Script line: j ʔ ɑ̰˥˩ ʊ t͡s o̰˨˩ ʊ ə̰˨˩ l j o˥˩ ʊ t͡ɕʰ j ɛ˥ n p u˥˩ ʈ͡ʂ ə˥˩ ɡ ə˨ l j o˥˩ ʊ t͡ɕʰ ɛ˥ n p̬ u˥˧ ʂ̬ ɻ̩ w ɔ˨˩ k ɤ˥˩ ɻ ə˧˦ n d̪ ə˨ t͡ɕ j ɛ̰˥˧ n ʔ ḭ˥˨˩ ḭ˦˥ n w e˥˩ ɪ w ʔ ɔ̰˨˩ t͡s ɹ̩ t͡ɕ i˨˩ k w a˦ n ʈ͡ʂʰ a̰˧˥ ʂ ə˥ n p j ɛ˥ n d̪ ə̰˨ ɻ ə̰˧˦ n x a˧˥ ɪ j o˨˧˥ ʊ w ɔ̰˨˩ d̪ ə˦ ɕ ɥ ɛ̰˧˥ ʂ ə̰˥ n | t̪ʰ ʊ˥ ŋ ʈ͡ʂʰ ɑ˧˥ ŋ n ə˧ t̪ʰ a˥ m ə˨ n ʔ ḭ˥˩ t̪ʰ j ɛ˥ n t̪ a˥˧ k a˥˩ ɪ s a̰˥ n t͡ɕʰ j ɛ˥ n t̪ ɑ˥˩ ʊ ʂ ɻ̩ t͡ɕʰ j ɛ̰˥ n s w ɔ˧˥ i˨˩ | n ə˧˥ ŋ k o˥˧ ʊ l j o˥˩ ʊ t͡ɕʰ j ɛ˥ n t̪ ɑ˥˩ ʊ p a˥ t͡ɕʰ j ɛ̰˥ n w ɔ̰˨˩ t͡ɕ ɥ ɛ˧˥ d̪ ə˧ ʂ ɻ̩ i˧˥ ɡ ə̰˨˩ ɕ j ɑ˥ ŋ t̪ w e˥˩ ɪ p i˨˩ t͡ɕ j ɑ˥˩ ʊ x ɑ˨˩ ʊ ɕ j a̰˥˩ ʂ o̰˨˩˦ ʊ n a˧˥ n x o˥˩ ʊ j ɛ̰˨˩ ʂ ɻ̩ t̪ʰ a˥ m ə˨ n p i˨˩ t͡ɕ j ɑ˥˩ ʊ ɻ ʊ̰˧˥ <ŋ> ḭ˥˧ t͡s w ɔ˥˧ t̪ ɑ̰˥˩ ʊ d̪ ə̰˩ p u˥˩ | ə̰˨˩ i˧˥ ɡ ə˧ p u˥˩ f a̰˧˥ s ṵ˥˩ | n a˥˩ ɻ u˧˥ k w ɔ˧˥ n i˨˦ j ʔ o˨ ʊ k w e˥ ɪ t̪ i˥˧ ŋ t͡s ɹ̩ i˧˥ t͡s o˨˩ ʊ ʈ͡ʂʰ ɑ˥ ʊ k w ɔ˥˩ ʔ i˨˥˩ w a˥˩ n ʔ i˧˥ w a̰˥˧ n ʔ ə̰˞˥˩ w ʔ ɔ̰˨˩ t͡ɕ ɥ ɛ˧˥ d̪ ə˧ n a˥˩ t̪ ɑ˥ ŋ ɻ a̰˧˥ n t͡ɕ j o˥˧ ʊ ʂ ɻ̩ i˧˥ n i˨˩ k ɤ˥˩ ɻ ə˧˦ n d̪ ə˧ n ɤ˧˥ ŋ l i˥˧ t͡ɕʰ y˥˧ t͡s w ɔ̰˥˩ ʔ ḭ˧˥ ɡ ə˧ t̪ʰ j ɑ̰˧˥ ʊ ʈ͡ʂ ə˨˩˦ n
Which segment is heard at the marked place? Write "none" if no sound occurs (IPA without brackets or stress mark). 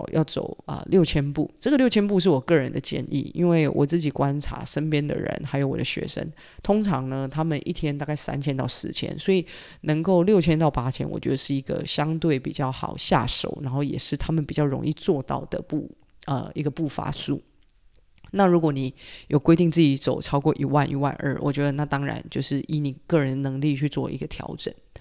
ŋ